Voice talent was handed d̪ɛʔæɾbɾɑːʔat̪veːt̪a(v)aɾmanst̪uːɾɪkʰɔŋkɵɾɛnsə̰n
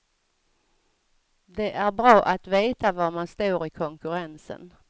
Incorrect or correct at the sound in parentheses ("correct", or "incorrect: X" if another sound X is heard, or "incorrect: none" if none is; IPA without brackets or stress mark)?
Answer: correct